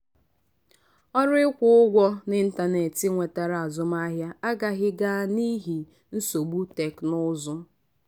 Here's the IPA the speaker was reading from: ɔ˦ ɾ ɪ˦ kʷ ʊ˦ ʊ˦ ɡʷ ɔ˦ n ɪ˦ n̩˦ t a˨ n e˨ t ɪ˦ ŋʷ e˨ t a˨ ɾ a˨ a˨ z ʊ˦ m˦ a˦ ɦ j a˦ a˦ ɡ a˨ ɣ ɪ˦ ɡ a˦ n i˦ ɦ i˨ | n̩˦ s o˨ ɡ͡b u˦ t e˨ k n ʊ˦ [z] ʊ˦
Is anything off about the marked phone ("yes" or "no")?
no